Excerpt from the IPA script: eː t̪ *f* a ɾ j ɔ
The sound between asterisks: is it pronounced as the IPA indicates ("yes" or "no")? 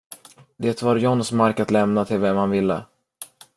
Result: no